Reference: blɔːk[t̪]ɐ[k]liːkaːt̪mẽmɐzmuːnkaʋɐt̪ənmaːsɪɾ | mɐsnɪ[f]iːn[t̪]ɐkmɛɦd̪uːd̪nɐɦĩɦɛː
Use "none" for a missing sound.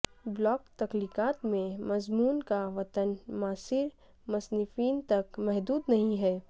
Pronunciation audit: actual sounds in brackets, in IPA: t̪, k, f, t̪

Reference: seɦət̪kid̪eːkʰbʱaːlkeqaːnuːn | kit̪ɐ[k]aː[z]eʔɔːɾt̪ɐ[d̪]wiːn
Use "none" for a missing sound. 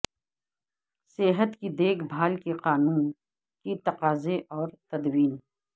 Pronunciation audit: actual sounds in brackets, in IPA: q, z, d̪

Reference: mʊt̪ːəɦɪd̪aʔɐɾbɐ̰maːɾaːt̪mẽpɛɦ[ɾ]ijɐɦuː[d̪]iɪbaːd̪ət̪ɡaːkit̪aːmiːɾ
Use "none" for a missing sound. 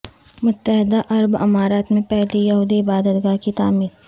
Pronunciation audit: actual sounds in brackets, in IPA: l, d̪

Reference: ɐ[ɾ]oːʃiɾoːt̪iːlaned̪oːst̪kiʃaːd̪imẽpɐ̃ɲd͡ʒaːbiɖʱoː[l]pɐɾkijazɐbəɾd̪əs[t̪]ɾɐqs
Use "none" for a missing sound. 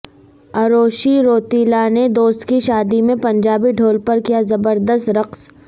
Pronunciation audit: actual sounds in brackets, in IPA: ɾ, l, t̪

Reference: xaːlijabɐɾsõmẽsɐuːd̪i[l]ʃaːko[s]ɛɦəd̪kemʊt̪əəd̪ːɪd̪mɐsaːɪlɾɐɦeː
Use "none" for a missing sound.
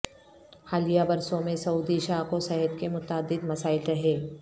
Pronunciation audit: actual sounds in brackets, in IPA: none, s

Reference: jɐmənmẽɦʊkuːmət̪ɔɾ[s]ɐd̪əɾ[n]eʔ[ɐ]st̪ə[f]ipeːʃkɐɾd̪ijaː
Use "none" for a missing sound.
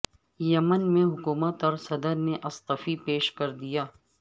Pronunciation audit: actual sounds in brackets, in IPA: s, n, ɐ, f

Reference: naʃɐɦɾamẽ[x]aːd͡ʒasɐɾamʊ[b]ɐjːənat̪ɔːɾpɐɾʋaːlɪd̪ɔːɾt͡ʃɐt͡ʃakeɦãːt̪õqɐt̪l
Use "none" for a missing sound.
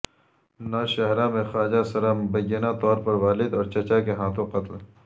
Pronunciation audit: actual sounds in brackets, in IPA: x, b

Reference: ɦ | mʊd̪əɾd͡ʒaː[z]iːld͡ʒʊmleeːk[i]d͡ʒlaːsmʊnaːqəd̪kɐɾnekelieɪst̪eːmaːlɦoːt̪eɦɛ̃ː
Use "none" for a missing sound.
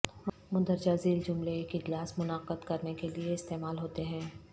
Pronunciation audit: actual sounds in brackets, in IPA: z, ɪ

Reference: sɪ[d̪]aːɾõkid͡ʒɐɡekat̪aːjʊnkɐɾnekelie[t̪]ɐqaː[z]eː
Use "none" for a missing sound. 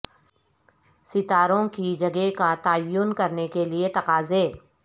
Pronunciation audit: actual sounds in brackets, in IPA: t̪, t̪, z

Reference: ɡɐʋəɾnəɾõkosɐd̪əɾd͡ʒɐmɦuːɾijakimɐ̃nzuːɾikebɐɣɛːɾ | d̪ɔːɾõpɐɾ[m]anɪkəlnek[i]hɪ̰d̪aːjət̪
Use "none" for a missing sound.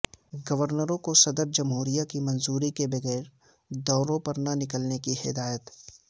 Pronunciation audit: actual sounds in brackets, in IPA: n, i

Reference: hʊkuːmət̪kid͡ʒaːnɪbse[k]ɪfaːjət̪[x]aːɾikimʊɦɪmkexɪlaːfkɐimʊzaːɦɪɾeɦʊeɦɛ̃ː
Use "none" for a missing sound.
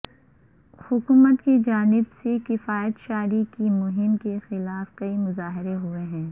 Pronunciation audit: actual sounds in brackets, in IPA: k, ʃ

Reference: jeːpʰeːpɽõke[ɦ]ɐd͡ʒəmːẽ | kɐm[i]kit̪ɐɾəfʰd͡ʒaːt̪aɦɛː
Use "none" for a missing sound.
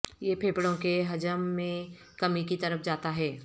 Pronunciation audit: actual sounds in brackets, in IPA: ɦ, i

